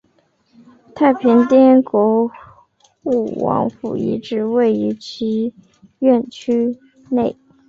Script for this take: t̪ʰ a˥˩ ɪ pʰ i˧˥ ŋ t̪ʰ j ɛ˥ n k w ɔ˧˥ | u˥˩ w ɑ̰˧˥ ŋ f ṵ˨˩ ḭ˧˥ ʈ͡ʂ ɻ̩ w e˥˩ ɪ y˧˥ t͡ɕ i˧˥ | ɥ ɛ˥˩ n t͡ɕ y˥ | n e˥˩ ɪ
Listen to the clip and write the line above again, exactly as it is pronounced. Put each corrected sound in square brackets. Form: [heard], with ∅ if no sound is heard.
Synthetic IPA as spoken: t̪ʰ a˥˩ ɪ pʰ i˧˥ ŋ [t̪] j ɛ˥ n k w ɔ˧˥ | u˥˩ w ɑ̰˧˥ ŋ f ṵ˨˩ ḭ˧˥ ʈ͡ʂ ɻ̩ w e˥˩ ɪ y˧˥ [t͡ɕʰ] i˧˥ | ɥ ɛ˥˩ n [t͡ɕʰ] y˥ | n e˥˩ ɪ